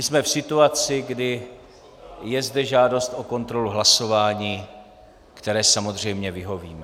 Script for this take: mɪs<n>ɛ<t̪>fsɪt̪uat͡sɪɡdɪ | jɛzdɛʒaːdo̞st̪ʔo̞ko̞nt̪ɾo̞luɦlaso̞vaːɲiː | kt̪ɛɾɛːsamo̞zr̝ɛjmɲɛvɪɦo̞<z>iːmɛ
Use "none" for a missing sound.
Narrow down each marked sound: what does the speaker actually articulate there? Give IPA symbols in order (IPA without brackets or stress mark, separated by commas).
m, none, v